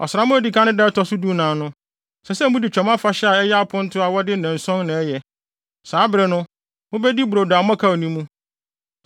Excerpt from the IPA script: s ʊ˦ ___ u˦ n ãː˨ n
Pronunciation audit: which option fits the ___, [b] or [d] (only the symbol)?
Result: d